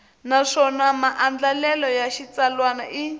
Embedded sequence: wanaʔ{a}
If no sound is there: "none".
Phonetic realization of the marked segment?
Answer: i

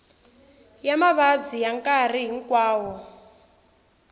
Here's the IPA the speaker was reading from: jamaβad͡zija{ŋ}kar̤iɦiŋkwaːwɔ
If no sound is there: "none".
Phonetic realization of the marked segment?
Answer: ŋ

